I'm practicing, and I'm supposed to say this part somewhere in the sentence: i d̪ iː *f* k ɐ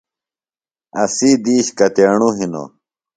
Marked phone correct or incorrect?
incorrect